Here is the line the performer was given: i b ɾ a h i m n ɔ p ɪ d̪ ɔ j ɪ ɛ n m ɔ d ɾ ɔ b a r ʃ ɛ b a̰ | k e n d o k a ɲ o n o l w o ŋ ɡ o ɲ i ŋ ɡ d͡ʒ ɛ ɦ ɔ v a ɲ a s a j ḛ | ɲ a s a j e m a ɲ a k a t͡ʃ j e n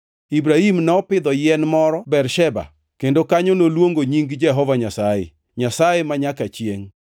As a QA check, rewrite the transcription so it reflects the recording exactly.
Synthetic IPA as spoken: i b ɾ a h i m n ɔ p ɪ d̪ ɔ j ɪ ɛ n m ɔ ɾ ɔ b ɛ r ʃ ɛ b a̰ | k e n d o k a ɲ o n o l w o ŋ ɡ o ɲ i ŋ ɡ d͡ʒ ɛ ɦ ɔ v a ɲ a s a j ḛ | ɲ a s a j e m a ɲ a k a t͡ʃ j e ŋ